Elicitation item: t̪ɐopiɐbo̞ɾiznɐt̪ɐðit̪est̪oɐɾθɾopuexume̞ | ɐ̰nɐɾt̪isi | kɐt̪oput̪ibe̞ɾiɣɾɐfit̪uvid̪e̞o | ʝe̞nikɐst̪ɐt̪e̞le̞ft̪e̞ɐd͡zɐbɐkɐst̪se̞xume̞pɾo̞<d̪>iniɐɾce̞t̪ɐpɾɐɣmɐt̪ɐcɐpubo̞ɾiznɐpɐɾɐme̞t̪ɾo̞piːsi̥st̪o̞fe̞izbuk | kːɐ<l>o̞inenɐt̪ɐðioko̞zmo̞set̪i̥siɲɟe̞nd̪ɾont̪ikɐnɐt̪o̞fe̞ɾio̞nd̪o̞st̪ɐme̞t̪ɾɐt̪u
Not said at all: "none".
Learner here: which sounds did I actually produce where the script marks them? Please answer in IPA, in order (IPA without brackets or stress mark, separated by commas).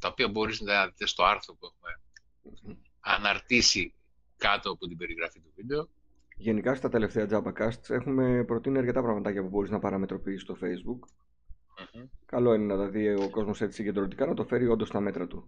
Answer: t̪, l